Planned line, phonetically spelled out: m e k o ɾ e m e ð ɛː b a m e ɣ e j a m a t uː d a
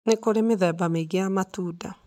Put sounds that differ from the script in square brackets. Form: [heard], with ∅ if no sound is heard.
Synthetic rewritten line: [n] e k o ɾ e m e ð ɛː b a m e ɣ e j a m a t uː d a